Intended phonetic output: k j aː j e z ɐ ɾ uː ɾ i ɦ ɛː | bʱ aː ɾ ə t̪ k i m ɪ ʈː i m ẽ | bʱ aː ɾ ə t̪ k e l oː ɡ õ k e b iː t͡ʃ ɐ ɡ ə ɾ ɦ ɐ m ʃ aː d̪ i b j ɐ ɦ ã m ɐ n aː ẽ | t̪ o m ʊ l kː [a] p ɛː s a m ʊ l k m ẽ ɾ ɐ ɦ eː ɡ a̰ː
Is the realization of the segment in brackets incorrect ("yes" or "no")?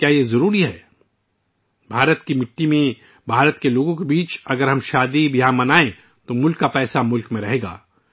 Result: no